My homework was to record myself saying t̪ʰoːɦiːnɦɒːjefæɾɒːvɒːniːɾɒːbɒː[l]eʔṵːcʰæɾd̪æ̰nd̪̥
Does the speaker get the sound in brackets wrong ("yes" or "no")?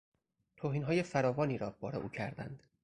yes